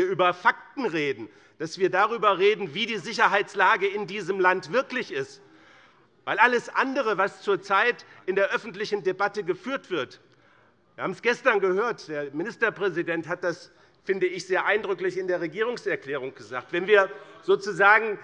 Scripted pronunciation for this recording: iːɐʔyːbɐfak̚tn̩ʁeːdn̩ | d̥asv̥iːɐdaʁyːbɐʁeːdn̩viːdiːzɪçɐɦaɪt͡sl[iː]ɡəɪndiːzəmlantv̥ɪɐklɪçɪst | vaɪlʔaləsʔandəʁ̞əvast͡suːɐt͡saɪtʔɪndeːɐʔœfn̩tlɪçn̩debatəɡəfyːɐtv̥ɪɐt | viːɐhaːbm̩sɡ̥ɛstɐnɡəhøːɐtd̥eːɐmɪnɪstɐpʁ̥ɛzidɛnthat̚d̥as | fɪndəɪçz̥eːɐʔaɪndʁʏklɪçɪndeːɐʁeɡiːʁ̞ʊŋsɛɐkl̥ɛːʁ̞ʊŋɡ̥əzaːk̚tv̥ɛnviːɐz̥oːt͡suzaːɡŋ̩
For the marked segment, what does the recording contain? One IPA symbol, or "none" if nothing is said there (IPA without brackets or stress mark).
aː